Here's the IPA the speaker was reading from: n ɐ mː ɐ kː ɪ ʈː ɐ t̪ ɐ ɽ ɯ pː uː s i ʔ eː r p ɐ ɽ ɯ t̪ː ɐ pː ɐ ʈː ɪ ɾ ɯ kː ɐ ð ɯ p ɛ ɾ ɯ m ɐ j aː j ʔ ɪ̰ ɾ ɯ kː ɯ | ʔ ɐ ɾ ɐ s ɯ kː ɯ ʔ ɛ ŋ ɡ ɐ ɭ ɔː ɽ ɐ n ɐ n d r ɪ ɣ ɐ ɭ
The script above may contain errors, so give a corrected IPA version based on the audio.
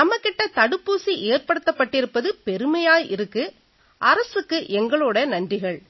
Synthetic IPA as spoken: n ɐ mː ɐ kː ɪ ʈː ɐ t̪ ɐ ɽ ɯ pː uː s i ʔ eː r p ɐ ɽ ɯ t̪ː ɐ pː ɐ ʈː ɪ ɾ ɯ pː ɐ ð ɯ p ɛ ɾ ɯ m ɐ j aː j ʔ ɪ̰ ɾ ɯ kː ɯ | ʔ ɐ ɾ ɐ s ɯ kː ɯ ʔ ɛ ŋ ɡ ɐ ɭ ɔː ɽ ɐ n ɐ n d r ɪ ɣ ɐ ɭ